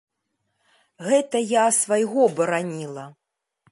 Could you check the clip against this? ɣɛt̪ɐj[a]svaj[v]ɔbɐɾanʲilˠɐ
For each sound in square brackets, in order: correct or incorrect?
correct, incorrect: ɣ

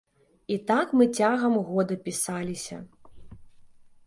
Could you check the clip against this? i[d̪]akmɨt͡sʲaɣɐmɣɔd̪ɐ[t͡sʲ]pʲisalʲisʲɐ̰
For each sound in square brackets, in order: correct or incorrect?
incorrect: t̪, incorrect: none

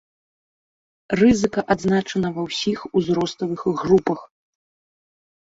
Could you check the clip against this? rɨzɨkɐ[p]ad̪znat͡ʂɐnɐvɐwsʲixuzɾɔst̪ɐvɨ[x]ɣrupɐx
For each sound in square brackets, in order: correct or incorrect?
incorrect: ʔ, correct

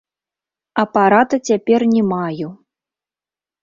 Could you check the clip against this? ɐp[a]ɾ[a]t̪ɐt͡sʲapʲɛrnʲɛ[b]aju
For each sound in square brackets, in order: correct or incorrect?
correct, correct, incorrect: m

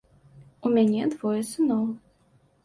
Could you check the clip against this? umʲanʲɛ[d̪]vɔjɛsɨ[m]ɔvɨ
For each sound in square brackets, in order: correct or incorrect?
correct, incorrect: n

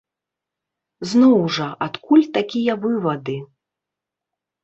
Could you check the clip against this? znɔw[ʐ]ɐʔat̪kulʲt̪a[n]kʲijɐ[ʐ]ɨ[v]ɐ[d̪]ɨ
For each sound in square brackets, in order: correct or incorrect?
correct, incorrect: none, incorrect: v, correct, correct

